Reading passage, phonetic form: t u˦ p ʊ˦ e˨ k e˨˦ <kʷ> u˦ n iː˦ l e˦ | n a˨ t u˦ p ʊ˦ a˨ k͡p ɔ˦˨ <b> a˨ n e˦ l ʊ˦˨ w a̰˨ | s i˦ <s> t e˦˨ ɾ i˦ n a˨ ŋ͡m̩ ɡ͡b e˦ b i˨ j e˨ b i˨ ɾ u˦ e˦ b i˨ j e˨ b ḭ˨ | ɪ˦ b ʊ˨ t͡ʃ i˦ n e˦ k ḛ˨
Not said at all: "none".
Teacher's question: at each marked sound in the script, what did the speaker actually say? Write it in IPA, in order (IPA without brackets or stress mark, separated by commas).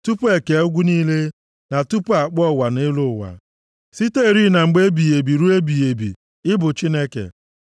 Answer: ɡʷ, w, none